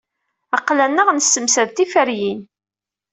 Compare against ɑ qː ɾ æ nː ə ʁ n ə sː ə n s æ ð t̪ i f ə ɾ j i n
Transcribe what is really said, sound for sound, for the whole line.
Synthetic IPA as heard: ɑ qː l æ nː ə ʁ n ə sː ə m s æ ð t̪ i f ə ɾ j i n